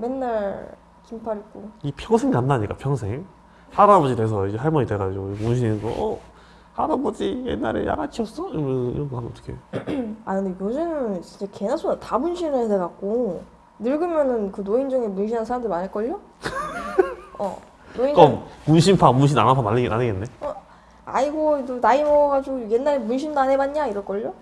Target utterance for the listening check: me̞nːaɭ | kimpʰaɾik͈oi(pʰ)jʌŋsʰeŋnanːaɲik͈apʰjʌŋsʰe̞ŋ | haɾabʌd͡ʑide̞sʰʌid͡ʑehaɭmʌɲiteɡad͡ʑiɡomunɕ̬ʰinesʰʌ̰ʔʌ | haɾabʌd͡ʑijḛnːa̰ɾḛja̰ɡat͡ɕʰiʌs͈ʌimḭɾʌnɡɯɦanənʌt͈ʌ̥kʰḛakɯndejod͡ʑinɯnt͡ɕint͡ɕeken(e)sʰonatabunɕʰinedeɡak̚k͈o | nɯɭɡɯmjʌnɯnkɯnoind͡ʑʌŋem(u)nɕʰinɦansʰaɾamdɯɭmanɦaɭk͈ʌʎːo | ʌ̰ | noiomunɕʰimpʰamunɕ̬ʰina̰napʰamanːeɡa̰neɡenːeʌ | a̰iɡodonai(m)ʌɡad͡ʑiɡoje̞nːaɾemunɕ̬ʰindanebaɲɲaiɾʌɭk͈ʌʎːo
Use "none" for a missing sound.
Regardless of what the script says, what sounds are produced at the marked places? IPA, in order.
pʰ, a, u, m

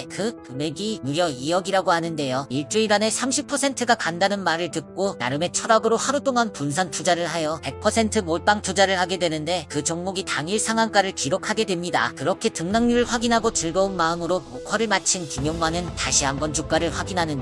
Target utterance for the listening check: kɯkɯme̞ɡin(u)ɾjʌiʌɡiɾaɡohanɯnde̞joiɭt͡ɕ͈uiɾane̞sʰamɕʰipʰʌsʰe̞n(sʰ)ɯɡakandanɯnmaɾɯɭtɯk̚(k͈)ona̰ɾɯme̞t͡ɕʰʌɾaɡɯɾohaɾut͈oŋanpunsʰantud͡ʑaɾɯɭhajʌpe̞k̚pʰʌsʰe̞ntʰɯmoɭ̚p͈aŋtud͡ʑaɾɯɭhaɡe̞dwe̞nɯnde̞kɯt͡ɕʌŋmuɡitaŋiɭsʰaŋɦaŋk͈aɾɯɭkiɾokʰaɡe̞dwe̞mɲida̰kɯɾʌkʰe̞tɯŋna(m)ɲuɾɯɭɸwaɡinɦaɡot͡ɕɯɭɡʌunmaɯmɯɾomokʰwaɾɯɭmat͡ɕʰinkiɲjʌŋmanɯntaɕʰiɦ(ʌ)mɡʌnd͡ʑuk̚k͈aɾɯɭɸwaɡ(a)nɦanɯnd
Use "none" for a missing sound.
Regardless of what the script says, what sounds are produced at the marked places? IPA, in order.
u, tʰ, k͈, ŋ, a, i

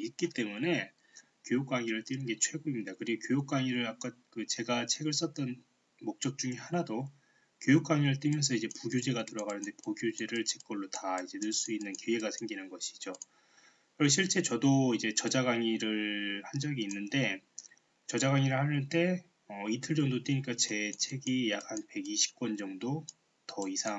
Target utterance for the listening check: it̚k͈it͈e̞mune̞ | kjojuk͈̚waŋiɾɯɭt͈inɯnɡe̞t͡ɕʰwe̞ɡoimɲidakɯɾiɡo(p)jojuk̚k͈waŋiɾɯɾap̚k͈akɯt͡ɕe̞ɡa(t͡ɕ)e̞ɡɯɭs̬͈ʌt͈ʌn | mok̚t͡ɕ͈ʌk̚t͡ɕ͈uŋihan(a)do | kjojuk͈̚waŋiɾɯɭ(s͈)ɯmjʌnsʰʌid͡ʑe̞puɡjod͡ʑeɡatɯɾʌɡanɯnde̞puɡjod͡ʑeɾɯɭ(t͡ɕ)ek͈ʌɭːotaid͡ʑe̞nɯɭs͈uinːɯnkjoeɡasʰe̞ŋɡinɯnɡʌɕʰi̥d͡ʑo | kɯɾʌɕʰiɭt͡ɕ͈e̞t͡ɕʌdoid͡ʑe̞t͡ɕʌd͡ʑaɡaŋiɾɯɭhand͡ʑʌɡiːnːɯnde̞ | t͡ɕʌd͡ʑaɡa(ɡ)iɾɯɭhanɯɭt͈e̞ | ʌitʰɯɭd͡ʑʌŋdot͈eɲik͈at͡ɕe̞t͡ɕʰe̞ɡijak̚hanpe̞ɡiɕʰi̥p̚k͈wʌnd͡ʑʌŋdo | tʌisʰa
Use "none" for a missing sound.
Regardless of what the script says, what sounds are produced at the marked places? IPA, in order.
k, t͡ɕʰ, a, t͈, t͡ɕ, ŋ

